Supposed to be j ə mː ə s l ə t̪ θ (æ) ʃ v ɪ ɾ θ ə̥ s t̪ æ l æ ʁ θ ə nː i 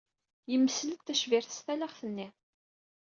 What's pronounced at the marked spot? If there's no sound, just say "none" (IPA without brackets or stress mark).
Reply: æ